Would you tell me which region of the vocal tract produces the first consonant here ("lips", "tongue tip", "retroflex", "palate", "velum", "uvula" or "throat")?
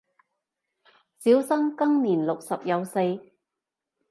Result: tongue tip